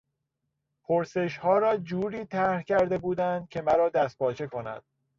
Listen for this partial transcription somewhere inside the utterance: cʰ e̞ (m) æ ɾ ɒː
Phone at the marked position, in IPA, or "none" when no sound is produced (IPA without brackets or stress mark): m